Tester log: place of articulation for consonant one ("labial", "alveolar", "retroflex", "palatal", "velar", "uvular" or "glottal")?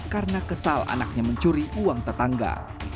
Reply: velar